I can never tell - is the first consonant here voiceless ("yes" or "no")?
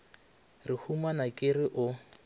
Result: no